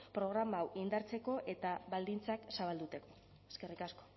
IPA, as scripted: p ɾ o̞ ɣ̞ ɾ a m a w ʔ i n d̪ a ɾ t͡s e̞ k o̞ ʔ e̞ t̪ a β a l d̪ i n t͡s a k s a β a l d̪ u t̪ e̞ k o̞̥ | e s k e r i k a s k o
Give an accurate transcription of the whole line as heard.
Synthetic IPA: p ɾ o̞ ɣ̞ ɾ a m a w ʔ i n d̪ a ɾ t͡s e̞ k o̞ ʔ e̞ t̪ a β a l d̪ i n t͡s a k s a β a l d̪ u t̪ e̞ k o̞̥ | e s k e r i k a s k o